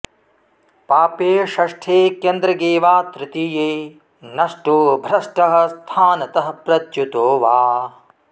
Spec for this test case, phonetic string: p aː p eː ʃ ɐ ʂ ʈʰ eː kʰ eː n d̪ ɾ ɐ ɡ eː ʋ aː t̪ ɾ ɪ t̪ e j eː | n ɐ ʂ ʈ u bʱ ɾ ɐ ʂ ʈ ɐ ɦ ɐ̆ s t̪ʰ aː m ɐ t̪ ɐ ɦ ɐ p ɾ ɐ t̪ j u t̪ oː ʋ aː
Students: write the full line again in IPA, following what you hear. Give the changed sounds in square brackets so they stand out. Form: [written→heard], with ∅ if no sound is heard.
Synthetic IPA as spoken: p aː p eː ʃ ɐ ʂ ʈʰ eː [kʰ→k] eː n d̪ ɾ ɐ ɡ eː ʋ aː t̪ ɾ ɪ t̪ [e→i] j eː | n ɐ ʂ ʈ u bʱ ɾ ɐ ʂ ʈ ɐ ɦ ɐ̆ s t̪ʰ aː [m→n] ɐ t̪ ɐ ɦ ɐ p ɾ ɐ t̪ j u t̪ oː ʋ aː